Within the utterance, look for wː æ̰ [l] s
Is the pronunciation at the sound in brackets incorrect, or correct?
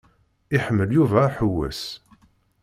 incorrect